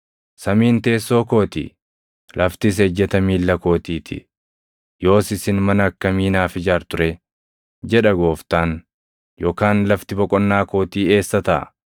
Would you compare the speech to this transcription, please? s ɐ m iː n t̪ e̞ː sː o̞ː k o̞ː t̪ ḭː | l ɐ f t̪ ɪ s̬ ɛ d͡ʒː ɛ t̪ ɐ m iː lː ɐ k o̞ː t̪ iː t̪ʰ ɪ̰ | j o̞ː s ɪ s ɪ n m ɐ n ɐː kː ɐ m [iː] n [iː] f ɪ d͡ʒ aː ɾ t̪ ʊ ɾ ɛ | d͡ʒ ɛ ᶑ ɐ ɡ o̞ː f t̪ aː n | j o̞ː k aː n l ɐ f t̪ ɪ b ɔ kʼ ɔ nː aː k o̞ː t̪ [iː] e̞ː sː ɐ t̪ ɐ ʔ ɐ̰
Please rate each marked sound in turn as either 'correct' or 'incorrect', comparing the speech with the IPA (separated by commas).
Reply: correct, incorrect, correct